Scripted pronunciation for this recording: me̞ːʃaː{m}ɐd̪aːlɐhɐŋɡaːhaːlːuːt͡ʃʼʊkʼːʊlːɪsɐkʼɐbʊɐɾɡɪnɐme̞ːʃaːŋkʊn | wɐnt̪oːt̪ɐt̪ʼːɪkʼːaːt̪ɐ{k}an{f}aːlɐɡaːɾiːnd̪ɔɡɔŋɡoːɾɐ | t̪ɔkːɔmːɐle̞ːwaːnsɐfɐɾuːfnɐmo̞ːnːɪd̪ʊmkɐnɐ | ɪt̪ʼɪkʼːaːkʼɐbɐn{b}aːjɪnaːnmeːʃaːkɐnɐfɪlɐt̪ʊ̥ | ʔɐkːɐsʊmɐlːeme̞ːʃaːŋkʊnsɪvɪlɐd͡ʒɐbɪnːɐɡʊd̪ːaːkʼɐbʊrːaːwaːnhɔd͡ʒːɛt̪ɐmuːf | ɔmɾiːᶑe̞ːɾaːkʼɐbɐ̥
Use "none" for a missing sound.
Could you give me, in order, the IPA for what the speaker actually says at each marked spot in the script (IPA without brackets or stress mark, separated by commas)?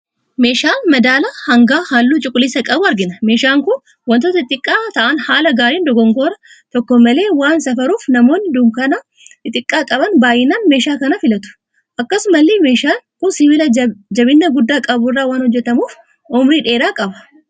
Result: m, ʔ, h, b